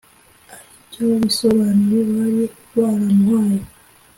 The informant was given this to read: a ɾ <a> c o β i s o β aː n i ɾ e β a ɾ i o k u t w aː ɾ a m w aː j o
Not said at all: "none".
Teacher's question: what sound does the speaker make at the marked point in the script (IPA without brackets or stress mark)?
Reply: i